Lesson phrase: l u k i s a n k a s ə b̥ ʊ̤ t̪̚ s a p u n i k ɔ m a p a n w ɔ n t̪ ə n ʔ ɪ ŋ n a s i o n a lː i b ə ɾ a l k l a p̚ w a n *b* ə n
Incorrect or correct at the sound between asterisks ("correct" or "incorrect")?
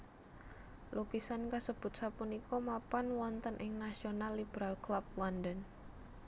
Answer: incorrect